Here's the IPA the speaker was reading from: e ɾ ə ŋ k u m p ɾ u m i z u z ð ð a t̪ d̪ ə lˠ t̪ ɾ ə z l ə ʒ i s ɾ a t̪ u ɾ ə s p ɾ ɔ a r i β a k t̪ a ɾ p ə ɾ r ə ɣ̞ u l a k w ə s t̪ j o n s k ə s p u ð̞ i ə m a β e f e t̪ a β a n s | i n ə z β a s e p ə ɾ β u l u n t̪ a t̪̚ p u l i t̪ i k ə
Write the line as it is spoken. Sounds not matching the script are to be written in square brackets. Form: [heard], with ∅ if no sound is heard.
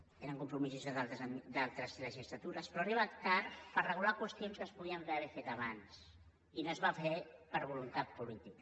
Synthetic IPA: e ɾ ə ŋ k u m p ɾ u m i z u z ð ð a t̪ d̪ [a] lˠ t̪ ɾ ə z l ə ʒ i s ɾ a t̪ u ɾ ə s p ɾ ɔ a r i β a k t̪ a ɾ p ə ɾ r ə ɣ̞ u l a k w ə s t̪ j o n s k ə s p u ð̞ i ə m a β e f e t̪ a β a n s | i n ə z β a [f] e p ə ɾ β u l u n t̪ a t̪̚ p u l i t̪ i k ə

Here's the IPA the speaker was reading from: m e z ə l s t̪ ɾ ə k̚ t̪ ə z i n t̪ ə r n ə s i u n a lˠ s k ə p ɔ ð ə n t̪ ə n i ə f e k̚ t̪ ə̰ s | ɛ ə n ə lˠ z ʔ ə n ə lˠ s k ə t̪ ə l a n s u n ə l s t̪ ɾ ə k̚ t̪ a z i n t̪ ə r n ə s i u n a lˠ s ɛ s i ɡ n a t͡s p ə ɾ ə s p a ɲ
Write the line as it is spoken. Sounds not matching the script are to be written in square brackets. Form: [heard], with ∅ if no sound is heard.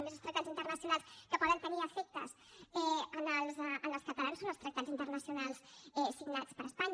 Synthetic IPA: m e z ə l s t̪ ɾ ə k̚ t̪ [a] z i n t̪ ə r n ə s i u n a lˠ s k ə p ɔ ð ə n t̪ ə n i ə f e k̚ t̪ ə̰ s | ɛ ə n ə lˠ z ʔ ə n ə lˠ s k ə t̪ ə l a n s [o] n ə l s t̪ ɾ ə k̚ t̪ a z i n t̪ ə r n ə s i u n a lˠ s ɛ s i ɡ n a t͡s p ə ɾ ə s p a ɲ

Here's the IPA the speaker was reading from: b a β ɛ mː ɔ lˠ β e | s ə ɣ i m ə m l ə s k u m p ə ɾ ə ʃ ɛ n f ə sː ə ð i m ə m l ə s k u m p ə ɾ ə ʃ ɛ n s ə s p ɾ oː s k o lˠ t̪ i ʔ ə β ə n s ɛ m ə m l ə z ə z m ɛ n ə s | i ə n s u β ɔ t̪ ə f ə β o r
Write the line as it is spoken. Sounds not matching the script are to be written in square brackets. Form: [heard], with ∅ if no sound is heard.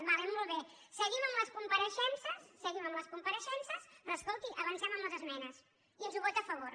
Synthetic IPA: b a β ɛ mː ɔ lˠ β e | s ə ɣ i m ə m l ə s k u m p ə ɾ ə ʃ ɛ n [s] ə sː ə [ɣ] i m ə m l ə s k u m p ə ɾ ə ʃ ɛ n s ə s p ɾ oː s k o lˠ t̪ i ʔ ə β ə n s ɛ m ə m l ə z ə z m ɛ n ə s | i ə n [z] u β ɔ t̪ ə f ə β o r

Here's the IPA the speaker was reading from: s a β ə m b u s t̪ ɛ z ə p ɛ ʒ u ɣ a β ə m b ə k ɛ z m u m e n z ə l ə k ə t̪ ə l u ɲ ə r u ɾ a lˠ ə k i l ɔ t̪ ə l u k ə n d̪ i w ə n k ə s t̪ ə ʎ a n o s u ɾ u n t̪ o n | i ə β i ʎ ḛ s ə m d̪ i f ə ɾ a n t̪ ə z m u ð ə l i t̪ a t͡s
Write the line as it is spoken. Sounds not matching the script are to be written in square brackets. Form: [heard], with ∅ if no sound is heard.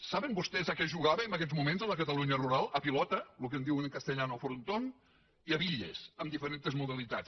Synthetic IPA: s a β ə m b u s t̪ ɛ z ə [k] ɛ ʒ u ɣ a β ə m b ə k ɛ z m u m e n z ə l ə k ə t̪ ə l u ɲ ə r u ɾ a lˠ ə [p] i l ɔ t̪ ə l u k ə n d̪ i w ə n k ə s t̪ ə ʎ a n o [f] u ɾ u n t̪ o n | i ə β i ʎ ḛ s ə m d̪ i f ə ɾ [e] n t̪ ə z m u ð ə l i t̪ a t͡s

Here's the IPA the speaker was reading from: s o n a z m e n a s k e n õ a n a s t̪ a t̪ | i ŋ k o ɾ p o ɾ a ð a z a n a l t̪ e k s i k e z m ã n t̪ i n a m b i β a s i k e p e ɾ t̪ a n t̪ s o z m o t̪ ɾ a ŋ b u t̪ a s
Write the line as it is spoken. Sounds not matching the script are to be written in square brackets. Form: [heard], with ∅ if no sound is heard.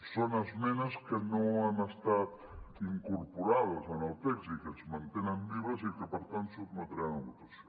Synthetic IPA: s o n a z m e n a s k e n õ a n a s t̪ a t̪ | i ŋ k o ɾ p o ɾ a ð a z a n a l t̪ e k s i k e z m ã n t̪ [e] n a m b i β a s i k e p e ɾ t̪ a n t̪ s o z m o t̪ ɾ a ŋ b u t̪ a s

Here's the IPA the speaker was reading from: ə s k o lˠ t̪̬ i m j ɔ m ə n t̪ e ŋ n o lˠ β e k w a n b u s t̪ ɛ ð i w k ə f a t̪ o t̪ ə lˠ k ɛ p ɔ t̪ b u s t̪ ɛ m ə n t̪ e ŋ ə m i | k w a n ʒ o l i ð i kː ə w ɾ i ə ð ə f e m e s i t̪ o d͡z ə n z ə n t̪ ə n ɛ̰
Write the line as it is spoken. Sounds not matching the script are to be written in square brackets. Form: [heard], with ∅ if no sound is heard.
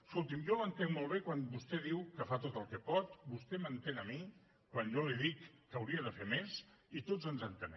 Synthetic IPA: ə s k o lˠ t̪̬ i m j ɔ m ə n t̪ e ŋ [m] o lˠ β e k w a n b u s t̪ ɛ ð i w k ə f a t̪ o t̪ ə lˠ k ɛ p ɔ t̪ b u s t̪ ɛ m ə n t̪ e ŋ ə m i | k w a n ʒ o l i ð i kː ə w ɾ i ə ð ə f e m e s i t̪ o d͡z ə n z ə n t̪ ə n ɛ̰

